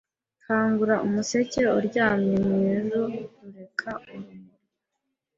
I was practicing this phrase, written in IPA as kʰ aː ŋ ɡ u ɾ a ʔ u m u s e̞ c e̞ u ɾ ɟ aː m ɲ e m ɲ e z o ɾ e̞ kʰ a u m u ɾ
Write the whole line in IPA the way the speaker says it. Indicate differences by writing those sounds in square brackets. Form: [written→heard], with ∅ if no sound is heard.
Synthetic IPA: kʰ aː ŋ ɡ u ɾ a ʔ u m u s e̞ c e̞ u ɾ ɟ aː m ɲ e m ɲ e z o ɾ e̞ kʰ a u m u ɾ